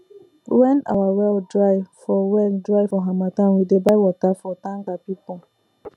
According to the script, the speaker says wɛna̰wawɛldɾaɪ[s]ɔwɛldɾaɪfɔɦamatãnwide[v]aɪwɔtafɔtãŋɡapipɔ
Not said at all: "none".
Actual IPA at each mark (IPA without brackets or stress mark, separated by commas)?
f, b